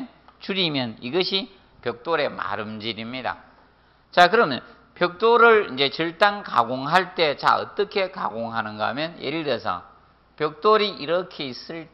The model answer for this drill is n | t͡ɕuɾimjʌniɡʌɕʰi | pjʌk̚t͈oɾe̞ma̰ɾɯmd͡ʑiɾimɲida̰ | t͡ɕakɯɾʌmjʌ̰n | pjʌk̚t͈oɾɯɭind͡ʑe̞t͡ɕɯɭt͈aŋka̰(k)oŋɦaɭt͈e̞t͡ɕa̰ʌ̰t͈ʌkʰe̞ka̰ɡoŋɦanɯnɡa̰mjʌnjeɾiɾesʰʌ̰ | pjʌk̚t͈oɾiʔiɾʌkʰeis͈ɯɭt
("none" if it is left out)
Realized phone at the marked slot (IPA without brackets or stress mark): ɡ